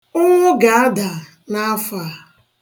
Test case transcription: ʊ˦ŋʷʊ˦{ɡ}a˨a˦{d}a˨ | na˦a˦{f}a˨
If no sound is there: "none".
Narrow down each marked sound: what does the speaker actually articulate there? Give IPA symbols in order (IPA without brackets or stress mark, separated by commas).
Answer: ɡ, d, f